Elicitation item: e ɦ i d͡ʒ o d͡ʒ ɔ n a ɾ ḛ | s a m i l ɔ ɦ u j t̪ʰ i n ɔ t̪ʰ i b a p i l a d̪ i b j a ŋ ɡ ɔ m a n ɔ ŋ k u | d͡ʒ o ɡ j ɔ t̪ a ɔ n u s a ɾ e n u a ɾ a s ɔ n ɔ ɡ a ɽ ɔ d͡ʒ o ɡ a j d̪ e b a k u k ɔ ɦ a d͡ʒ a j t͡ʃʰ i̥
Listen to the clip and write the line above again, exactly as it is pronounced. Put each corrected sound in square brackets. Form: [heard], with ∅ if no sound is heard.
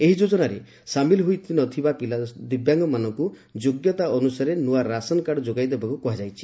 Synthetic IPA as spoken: e ɦ i d͡ʒ o d͡ʒ ɔ n a ɾ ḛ | s a m i l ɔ ɦ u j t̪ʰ i n ɔ t̪ʰ i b a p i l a d̪ i b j a ŋ ɡ ɔ m a n ɔ ŋ k u | d͡ʒ o ɡ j ɔ t̪ a ɔ n u s a ɾ e n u a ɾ a s ɔ n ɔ [k] a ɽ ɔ d͡ʒ o ɡ a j d̪ e b a k u k ɔ ɦ a d͡ʒ a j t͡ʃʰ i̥